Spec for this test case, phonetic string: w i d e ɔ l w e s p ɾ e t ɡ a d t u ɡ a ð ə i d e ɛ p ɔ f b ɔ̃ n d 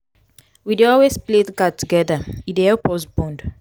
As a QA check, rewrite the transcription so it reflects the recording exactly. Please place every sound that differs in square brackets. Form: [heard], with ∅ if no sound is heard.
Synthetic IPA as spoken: w i d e ɔ l w e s p [l] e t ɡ a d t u ɡ [ɛ] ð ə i d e ɛ p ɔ [s] b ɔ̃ n d